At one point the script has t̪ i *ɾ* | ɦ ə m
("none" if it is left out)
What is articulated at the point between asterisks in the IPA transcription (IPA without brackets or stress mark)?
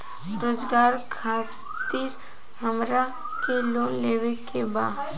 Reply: ɾ